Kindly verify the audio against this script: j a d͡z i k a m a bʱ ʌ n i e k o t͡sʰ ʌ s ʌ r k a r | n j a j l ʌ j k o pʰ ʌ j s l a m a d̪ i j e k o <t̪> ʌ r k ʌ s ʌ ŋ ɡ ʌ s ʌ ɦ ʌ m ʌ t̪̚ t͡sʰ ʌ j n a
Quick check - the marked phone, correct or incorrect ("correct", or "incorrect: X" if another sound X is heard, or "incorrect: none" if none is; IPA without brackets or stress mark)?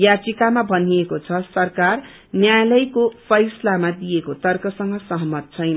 correct